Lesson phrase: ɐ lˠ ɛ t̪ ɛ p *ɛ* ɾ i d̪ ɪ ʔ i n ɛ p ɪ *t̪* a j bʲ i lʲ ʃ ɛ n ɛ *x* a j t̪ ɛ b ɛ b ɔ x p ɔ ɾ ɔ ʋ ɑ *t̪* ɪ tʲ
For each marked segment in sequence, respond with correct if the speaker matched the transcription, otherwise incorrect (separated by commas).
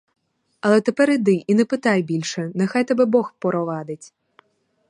correct, correct, correct, incorrect